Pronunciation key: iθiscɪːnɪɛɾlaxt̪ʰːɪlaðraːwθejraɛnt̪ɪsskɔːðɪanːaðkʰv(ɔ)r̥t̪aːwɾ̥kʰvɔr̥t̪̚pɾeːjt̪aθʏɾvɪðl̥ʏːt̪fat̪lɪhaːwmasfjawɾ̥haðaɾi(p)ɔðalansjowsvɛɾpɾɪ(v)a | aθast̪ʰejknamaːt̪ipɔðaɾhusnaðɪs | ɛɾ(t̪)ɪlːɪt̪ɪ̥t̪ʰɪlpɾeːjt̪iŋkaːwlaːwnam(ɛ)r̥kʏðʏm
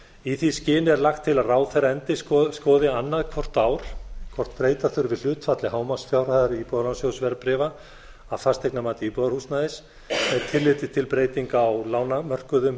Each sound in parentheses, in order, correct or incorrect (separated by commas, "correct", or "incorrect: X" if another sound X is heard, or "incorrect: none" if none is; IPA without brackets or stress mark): correct, correct, correct, incorrect: t̪ʰ, incorrect: œ